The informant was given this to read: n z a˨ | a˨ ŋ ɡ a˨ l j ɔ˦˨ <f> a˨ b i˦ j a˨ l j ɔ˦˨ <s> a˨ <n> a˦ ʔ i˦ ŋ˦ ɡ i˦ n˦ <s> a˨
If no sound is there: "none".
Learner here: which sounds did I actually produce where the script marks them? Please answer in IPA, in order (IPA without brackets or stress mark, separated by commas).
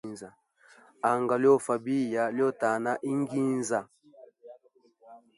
f, t, n, z